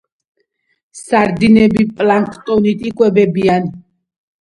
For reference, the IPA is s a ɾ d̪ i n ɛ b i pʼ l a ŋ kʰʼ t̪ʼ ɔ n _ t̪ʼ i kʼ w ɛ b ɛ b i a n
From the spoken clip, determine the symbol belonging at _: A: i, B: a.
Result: A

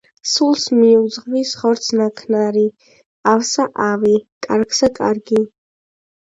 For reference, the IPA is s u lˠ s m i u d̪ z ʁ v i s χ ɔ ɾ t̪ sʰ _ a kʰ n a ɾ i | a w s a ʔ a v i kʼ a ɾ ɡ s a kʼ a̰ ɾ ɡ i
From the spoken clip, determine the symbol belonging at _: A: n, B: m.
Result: A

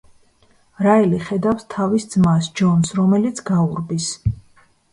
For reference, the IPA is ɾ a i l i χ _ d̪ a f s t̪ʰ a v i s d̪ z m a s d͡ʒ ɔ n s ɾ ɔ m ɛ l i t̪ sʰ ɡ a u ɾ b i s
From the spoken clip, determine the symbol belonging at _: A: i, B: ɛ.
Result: B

